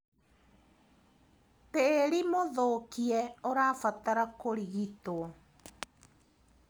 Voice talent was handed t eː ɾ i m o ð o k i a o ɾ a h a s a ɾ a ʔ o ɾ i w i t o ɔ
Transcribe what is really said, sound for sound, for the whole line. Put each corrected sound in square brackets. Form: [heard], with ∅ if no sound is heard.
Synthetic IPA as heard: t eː ɾ i m o ð o k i [ɛ] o ɾ a [f] a [t] a ɾ a [k] o ɾ i [ɣ] i t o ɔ